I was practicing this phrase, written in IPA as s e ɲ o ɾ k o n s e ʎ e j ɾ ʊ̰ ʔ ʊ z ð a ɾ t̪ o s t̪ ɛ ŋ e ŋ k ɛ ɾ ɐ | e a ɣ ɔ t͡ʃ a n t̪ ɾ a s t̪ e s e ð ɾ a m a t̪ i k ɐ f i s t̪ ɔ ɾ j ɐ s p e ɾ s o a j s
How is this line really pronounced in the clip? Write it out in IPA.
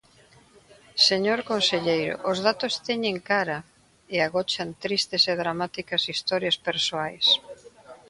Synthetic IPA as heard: s e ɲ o ɾ k o n s e ʎ e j ɾ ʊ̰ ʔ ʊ z ð a t̪ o s t̪ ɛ ɲ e ŋ k a ɾ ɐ | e a ɣ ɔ t͡ʃ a n t̪ ɾ i s t̪ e s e ð ɾ a m a t̪ i k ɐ s i s t̪ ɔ ɾ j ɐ s p e ɾ s o a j s